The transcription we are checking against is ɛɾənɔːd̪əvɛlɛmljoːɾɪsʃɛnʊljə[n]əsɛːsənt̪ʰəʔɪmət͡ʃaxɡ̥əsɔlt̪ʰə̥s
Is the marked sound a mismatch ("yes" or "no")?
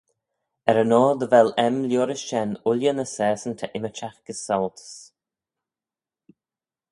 no